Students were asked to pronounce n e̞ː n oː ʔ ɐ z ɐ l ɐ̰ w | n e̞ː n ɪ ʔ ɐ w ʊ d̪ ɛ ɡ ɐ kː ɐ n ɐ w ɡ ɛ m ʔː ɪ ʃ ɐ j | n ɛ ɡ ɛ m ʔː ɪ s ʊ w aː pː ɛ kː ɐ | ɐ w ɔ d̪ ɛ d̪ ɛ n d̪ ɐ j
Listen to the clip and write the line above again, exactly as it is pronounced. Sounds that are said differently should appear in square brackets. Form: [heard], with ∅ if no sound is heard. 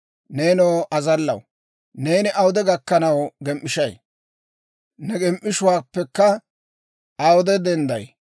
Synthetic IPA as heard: n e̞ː n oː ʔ ɐ z ɐ [lː] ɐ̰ w | n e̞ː n ɪ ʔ ɐ w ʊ d̪ ɛ ɡ ɐ kː ɐ n ɐ w ɡ ɛ m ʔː ɪ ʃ ɐ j | n ɛ ɡ ɛ m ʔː ɪ [ʃ] ʊ w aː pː ɛ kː ɐ | ɐ w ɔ d̪ ɛ d̪ ɛ n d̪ ɐ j